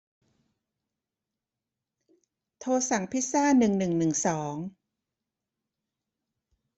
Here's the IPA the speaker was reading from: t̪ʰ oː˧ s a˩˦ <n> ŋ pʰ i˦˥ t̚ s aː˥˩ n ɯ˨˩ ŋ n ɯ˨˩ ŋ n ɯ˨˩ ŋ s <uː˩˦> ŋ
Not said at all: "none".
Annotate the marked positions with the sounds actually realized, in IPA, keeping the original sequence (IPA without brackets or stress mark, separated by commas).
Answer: none, ɔː˩˦